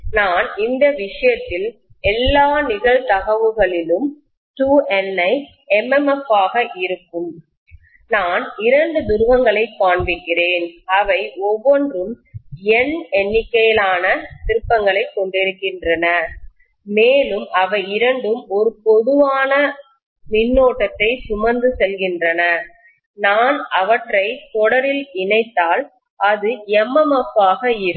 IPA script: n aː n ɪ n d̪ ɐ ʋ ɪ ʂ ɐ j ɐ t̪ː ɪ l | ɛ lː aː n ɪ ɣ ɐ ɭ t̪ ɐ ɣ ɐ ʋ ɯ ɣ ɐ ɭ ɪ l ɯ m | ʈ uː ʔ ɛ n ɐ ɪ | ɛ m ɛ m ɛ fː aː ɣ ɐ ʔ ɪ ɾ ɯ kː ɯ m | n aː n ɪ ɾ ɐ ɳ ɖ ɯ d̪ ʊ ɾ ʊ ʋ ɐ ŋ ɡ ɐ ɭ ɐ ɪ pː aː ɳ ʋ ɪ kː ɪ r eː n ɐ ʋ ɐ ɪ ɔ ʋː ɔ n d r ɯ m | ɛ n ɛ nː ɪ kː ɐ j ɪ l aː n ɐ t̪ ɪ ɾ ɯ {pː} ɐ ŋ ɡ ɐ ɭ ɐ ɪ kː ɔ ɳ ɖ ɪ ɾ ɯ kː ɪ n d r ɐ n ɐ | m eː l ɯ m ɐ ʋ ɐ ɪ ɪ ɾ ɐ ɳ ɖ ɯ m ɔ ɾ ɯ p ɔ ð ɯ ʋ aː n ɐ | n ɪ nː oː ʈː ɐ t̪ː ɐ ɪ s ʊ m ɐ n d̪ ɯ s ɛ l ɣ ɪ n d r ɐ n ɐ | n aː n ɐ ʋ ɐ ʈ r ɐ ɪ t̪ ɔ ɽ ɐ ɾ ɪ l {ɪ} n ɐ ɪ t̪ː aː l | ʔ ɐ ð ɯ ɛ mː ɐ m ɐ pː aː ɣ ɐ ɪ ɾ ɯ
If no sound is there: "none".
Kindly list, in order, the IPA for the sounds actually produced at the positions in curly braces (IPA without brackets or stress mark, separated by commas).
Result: pː, ɪ